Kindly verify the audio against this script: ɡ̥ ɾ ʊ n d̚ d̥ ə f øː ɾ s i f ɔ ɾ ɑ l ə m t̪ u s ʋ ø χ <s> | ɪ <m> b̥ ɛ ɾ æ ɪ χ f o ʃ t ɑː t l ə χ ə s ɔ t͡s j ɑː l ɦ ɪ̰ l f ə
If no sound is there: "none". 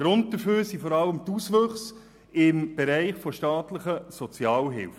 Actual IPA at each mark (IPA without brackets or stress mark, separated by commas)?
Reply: s, m